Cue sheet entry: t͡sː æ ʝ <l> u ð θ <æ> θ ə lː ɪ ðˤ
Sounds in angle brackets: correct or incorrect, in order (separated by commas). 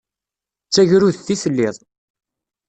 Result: incorrect, incorrect